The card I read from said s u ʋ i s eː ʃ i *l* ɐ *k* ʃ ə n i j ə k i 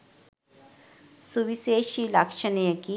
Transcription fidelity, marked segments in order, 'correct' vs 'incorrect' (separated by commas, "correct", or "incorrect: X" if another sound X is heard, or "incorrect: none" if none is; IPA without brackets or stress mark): correct, correct